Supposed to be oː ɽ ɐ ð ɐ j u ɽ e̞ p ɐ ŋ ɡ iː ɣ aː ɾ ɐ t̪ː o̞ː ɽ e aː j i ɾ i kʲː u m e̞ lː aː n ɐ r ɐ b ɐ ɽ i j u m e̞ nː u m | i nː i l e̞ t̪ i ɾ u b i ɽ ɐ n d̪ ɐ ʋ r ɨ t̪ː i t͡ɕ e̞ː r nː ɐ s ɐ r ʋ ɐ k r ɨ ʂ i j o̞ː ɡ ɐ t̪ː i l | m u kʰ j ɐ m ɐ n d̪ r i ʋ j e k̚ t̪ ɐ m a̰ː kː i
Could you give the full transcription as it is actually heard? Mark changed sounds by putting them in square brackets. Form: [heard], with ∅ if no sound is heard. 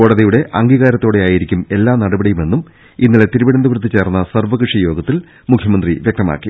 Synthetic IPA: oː ɽ ɐ ð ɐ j u ɽ e̞ [ʔ] ɐ ŋ ɡ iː ɣ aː ɾ ɐ t̪ː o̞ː ɽ e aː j i ɾ i kʲː u m e̞ lː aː n ɐ [ɽ] ɐ b ɐ ɽ i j u m e̞ nː u m | i nː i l e̞ t̪ i ɾ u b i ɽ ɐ n d̪ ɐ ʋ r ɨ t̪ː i t͡ɕ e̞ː r nː ɐ s ɐ r ʋ ɐ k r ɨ ʂ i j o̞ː ɡ ɐ t̪ː i l | m u kʰ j ɐ m ɐ n d̪ r i ʋ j e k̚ t̪ ɐ m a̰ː kː i